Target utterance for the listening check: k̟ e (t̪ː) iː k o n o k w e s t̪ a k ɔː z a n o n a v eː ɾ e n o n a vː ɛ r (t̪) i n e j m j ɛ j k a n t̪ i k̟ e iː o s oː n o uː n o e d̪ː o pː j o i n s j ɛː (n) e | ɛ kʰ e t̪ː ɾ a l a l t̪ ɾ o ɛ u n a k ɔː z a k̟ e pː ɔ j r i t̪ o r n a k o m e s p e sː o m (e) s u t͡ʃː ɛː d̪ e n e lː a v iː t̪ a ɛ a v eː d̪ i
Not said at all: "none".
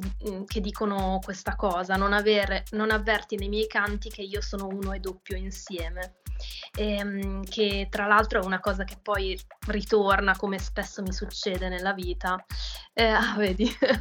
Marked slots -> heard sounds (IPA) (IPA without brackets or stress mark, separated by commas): d̪ː, t̪, m, i